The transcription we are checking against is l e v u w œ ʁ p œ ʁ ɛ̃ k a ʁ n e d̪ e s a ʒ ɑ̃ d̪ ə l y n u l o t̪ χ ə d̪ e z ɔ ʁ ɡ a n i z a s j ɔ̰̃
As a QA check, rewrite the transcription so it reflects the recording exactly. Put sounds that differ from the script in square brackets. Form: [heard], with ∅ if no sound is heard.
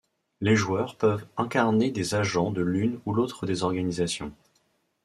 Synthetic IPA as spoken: l e [ʒ] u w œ ʁ p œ [v] ɛ̃ k a ʁ n e d̪ e [z] a ʒ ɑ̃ d̪ ə l y n u l o t̪ χ ə d̪ e z ɔ ʁ ɡ a n i z a s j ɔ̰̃